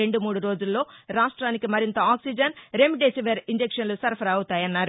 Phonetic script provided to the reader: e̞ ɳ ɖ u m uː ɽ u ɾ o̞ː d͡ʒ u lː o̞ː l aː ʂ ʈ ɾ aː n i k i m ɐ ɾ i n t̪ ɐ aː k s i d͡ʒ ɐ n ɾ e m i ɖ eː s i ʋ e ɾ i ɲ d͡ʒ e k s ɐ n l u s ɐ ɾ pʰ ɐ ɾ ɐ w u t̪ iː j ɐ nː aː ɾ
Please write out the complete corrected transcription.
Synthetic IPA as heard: e̞ ɳ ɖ u m uː ɽ u ɾ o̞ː d͡ʒ u lː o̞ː ɾ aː ʂ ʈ ɾ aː n i k i m ɐ ɾ i n t̪ ɐ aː k s i d͡ʒ ɐ n ɾ e m i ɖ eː s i ʋ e ɾ i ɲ d͡ʒ e k ʂ ɐ n l u s ɐ ɾ pʰ ɐ ɾ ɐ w u t̪ aː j ɐ nː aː ɾ